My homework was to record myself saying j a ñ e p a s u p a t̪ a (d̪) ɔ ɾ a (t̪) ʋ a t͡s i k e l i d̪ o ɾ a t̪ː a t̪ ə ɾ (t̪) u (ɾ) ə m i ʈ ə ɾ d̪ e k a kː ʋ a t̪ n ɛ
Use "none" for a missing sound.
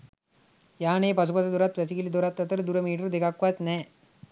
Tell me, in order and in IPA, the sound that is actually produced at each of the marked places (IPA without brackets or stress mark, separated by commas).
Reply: d̪, t̪, d̪, ɾ